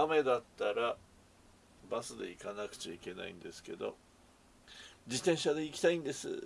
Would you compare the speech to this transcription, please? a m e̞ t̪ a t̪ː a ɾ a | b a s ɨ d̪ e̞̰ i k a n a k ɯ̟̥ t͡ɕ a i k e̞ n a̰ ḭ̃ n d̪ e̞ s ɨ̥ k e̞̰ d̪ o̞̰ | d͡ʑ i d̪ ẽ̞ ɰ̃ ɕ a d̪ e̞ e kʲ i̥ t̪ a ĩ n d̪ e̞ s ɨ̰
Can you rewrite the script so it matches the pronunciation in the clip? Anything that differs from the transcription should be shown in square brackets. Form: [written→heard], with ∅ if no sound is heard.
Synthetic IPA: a m e̞ [t̪→d̪] a t̪ː a ɾ a | b a s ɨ d̪ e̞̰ i k a n a k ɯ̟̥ t͡ɕ a i k e̞ n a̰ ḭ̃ n d̪ e̞ s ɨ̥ k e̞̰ d̪ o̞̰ | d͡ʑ i [d̪→t̪] ẽ̞ ɰ̃ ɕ a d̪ e̞ [e→i] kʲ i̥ t̪ a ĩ n d̪ e̞ s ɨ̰